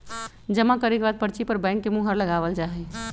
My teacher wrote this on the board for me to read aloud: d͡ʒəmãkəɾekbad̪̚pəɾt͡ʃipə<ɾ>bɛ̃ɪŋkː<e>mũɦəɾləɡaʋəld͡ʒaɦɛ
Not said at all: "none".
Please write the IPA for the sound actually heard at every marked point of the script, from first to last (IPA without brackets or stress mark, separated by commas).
ɾ, e